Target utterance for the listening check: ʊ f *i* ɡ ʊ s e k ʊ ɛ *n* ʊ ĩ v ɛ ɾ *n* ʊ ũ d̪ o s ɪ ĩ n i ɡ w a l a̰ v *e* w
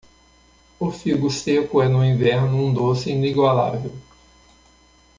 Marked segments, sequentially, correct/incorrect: correct, correct, correct, correct

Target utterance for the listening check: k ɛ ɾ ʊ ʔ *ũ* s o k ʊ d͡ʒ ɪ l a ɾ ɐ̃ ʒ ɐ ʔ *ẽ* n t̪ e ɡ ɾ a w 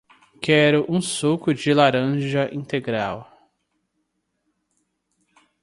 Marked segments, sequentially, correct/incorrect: correct, incorrect: ĩ

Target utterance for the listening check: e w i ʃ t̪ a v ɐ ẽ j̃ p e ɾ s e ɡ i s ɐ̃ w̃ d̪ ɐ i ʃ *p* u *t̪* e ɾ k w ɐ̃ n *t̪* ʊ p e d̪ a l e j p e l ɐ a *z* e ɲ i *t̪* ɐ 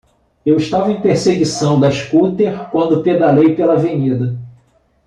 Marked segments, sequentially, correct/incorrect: incorrect: k, correct, incorrect: d̪, incorrect: v, incorrect: d̪

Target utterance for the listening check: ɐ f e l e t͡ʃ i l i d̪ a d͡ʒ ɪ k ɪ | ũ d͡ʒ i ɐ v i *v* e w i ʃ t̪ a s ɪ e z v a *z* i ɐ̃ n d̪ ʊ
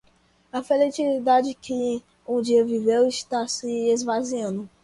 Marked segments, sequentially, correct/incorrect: correct, correct

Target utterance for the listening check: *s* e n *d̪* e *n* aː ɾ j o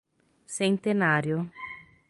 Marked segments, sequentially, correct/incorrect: correct, incorrect: t̪, correct

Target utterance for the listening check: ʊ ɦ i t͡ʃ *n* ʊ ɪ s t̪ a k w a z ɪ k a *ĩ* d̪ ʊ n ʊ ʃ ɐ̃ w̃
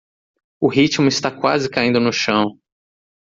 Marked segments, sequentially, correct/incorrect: incorrect: m, correct

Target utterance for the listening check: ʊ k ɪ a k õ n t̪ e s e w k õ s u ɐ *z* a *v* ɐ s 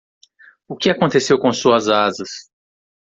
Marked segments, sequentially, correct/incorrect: correct, incorrect: z

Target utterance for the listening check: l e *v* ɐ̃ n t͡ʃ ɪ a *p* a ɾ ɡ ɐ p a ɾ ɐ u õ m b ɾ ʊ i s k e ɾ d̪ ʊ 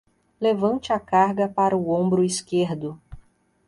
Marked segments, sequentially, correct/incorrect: correct, incorrect: k

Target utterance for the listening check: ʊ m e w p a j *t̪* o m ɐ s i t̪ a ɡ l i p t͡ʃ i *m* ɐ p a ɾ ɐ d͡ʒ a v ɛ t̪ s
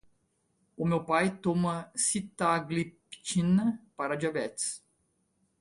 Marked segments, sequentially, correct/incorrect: correct, incorrect: n

